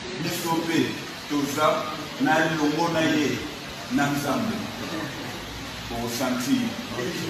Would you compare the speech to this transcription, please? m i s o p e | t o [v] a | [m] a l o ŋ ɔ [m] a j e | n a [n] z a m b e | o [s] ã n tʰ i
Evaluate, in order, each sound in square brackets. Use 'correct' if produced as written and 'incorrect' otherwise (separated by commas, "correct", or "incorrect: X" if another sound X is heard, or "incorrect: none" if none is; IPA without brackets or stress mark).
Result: incorrect: z, incorrect: n, incorrect: n, correct, correct